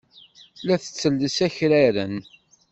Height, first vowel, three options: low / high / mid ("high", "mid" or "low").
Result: low